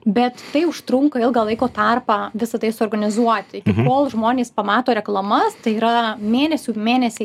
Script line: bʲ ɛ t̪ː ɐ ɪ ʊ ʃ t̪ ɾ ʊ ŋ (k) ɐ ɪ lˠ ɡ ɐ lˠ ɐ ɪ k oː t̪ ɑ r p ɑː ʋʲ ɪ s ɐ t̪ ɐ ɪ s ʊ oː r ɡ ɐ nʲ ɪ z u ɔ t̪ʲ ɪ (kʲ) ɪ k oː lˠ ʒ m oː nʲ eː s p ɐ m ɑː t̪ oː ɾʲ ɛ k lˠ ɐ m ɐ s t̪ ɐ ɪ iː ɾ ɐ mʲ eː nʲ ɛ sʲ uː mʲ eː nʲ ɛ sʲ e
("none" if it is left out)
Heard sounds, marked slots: k, kʲ

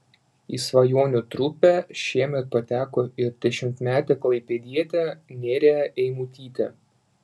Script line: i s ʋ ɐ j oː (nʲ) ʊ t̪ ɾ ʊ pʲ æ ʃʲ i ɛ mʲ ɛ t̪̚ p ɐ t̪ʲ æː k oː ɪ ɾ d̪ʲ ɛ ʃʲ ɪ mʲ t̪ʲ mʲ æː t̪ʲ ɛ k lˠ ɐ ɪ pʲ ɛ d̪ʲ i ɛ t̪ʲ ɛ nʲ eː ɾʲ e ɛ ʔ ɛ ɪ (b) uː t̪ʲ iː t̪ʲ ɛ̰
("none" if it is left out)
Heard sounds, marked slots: nʲ, m

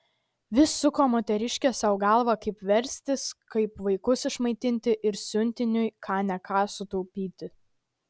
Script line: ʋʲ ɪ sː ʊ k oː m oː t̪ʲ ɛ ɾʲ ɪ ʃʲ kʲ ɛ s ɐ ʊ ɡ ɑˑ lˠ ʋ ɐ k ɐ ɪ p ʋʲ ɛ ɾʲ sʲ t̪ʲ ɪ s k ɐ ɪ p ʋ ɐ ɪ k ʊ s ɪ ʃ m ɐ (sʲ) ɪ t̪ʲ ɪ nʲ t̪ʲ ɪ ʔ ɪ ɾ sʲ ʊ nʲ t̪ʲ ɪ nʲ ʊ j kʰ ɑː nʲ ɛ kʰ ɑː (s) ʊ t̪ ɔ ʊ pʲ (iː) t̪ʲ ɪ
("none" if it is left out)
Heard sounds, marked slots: none, s, iː

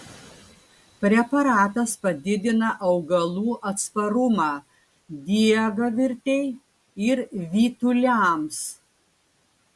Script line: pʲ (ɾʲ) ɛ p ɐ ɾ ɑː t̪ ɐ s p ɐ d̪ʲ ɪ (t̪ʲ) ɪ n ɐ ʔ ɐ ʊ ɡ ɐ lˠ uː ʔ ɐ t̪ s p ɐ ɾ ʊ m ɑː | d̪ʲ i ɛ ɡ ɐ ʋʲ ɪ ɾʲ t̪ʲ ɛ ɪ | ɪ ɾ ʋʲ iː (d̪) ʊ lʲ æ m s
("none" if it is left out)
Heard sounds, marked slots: ɾʲ, d̪ʲ, t̪

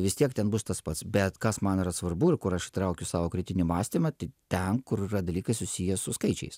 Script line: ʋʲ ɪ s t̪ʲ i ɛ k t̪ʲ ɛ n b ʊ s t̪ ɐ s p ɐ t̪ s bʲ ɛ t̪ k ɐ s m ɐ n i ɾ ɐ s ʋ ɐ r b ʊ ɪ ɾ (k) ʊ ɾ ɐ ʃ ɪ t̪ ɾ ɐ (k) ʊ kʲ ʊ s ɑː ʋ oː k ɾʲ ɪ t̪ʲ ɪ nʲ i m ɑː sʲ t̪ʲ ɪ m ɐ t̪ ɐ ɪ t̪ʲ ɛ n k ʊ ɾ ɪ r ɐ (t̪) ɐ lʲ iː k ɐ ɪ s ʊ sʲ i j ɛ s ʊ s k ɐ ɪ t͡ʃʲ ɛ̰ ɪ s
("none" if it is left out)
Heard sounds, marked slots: k, none, d̪

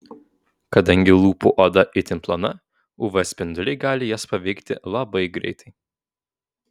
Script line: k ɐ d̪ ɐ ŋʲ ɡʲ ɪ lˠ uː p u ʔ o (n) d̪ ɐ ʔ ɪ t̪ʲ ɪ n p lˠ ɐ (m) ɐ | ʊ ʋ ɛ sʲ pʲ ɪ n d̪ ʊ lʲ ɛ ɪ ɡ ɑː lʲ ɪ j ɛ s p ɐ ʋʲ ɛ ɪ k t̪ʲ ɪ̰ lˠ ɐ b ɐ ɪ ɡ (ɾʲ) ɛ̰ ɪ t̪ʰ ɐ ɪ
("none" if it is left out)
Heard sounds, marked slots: none, n, ɾʲ

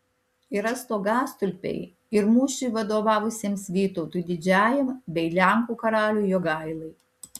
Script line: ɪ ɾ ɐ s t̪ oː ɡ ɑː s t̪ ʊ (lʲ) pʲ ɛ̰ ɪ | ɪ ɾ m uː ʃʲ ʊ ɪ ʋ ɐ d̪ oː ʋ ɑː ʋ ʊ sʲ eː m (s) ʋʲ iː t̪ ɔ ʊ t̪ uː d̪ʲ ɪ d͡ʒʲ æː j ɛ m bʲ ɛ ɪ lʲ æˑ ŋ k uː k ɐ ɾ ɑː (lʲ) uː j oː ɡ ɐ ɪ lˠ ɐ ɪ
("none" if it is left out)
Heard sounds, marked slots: lʲ, s, lʲ

